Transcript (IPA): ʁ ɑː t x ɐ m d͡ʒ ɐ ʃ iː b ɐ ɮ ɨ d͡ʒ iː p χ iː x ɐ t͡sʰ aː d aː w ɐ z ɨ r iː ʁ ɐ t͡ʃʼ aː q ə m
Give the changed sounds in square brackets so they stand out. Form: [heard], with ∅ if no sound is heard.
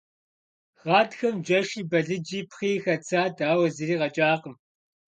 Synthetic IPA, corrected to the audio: ʁ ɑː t x ɐ m d͡ʒ ɐ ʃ iː b ɐ ɮ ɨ d͡ʒ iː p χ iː x ɐ t͡sʰ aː d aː w ɐ z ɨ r iː ʁ ɐ t͡ʃʼ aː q ə m